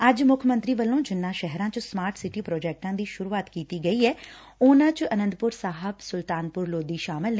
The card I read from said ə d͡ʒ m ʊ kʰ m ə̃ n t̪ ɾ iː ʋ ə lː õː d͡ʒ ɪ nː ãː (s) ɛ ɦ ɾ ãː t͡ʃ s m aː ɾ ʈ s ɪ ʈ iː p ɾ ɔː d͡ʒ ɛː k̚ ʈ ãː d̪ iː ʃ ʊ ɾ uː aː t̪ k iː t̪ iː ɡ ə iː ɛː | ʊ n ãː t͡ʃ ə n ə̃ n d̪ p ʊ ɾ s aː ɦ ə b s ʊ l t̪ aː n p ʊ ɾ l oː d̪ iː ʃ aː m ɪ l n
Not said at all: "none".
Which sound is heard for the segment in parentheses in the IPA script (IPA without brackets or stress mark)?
ʃ